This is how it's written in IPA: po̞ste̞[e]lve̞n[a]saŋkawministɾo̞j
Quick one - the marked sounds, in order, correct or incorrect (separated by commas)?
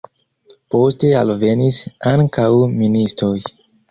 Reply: incorrect, incorrect